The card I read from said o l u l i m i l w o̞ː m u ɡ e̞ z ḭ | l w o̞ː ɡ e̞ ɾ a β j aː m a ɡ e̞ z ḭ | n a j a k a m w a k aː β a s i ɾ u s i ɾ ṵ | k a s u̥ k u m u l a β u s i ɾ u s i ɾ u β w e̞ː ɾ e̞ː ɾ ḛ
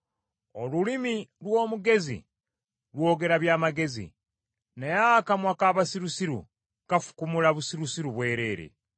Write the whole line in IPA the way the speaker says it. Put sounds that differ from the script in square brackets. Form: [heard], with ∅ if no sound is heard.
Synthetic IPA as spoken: o l u l i m i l w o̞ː m u ɡ e̞ z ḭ | l w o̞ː ɡ e̞ ɾ a β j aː m a ɡ e̞ z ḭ | n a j a k a m w a k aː β a s i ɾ u s i ɾ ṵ | k a [f] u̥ k u m u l a β u s i ɾ u s i ɾ u β w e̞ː ɾ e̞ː ɾ ḛ

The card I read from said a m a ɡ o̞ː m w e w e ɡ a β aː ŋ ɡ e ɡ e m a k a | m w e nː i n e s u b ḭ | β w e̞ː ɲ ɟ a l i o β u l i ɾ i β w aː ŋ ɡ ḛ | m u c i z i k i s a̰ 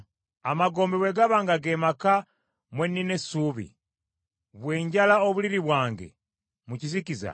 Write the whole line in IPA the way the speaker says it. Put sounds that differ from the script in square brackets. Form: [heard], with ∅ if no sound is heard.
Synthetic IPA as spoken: a m a ɡ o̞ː m [b] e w e ɡ a β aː ŋ ɡ [a] ɡ e m a k a | m w e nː i n e s u [β] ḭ | β w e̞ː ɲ ɟ a l [a] o β u l i ɾ i β w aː ŋ ɡ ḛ | m u c i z i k i [z] a̰

